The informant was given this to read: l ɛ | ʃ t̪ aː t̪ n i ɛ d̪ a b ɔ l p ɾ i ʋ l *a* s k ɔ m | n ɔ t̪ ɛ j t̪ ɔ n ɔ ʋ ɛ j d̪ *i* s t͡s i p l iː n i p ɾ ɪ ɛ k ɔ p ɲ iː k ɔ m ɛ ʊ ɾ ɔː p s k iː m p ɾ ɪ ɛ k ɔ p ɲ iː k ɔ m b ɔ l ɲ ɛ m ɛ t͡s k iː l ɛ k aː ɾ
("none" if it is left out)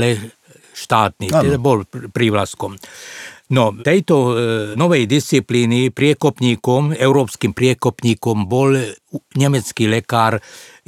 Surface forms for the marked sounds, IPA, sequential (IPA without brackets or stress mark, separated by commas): a, i